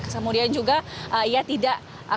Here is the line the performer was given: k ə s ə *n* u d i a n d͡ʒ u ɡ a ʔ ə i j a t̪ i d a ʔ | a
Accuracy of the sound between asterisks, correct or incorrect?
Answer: incorrect: m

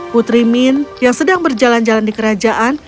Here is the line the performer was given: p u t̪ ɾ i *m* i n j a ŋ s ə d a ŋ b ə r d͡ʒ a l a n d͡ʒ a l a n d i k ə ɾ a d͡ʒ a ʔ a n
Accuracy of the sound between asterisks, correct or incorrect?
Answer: correct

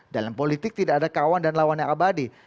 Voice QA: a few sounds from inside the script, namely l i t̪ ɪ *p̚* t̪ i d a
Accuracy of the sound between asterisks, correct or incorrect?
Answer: incorrect: k̚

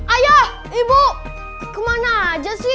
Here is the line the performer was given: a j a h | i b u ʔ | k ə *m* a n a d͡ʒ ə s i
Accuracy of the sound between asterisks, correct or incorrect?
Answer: correct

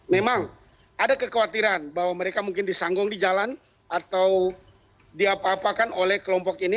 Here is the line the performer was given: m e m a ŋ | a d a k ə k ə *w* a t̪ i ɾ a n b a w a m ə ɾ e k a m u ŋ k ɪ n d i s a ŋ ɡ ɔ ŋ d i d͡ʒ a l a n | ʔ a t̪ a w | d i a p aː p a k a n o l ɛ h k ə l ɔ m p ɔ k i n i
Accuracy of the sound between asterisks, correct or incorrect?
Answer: correct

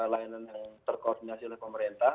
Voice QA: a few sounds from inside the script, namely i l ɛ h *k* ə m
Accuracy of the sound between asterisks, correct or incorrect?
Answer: incorrect: p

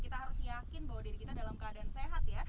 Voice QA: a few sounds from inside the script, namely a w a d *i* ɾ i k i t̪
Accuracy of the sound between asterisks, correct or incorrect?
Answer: correct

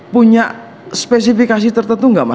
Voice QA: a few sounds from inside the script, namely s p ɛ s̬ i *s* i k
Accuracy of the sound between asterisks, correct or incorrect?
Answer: incorrect: f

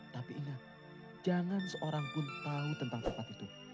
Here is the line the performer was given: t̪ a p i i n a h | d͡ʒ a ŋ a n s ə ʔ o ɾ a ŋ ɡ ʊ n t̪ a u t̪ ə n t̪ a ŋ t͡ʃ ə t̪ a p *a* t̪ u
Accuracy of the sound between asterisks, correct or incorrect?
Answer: incorrect: i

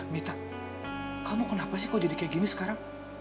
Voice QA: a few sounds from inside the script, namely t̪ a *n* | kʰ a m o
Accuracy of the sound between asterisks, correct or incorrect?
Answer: incorrect: none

